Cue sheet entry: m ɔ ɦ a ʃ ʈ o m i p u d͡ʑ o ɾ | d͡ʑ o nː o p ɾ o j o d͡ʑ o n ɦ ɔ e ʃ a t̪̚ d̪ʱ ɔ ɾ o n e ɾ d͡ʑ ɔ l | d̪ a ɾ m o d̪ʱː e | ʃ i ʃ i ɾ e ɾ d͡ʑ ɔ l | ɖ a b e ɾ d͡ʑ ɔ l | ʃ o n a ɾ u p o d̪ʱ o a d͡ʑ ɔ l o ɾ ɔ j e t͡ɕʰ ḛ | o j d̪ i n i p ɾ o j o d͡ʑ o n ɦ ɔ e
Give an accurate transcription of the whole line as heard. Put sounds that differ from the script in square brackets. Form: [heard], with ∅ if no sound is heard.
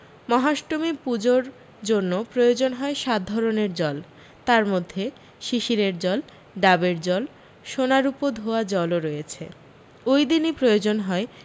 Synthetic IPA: m ɔ ɦ a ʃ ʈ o m i p u d͡ʑ o ɾ | d͡ʑ o nː o p ɾ o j o d͡ʑ o n ɦ ɔ e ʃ a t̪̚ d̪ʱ ɔ ɾ o n e ɾ d͡ʑ ɔ l | [t̪] a ɾ m o d̪ʱː e | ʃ i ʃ i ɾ e ɾ d͡ʑ ɔ l | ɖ a b e ɾ d͡ʑ ɔ l | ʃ o n a ɾ u p o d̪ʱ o a d͡ʑ ɔ l o ɾ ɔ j e t͡ɕʰ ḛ | o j d̪ i n i p ɾ o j o d͡ʑ o n ɦ ɔ e